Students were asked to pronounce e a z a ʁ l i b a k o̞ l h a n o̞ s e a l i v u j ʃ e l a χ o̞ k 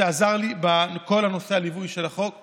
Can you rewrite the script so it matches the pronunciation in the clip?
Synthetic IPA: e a z a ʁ l i b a k o̞ l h a n o̞ s e a l i v u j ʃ e l a χ o̞ k